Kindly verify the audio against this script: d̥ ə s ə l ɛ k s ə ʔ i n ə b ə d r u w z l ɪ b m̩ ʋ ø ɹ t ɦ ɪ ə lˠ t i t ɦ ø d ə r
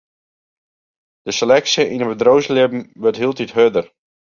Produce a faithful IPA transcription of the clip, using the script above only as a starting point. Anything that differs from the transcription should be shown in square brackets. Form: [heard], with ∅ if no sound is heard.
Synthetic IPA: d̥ ə s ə l ɛ k s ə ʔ i n ə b ə d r [o] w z l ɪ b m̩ ʋ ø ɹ t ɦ [i] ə lˠ t i t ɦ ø d ə r